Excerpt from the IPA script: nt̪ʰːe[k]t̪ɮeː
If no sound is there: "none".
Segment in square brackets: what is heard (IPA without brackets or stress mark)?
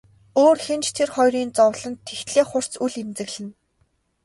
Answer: x